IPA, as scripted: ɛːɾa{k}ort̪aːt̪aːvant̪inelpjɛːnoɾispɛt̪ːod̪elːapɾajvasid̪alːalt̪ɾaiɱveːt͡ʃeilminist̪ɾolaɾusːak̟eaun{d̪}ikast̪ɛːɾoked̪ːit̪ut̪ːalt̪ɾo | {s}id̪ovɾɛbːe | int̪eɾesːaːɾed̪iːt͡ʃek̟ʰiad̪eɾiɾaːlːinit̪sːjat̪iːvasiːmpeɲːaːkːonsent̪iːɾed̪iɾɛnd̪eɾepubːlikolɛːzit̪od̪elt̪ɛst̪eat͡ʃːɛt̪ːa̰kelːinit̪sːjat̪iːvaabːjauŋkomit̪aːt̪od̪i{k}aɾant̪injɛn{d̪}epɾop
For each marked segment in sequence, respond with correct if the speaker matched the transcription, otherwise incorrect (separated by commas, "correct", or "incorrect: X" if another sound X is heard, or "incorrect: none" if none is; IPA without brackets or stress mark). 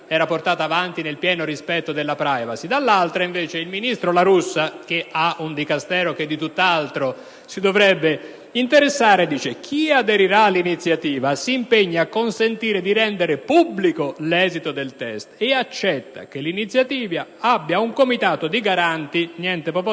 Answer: incorrect: p, correct, correct, incorrect: ɡ, incorrect: t̪